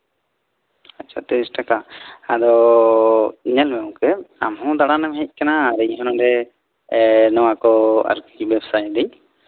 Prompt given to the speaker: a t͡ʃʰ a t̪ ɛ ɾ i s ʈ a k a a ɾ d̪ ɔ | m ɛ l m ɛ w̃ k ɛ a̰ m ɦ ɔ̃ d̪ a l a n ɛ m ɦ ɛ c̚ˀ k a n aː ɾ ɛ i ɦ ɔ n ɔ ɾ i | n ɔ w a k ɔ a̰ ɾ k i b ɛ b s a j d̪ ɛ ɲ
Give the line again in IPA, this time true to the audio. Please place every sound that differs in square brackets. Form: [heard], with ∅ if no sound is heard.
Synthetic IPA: a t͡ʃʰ a t̪ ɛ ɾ i s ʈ a k a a [∅] d̪ ɔ | [ɲ] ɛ l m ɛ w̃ k ɛ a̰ m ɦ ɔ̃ d̪ a [ɽ] a n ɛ m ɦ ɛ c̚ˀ k a n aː ɾ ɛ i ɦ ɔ n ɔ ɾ [ɛ] | n ɔ w a k ɔ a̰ ɾ k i b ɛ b s a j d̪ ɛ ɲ